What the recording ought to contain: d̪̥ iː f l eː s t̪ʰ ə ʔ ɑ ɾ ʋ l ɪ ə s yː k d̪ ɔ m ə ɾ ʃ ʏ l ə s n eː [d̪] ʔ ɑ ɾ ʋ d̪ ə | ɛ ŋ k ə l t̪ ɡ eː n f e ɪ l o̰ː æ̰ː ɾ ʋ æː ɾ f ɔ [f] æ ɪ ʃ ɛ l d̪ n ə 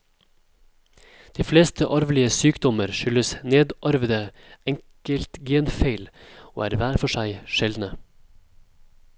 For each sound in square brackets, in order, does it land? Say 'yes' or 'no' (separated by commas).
yes, no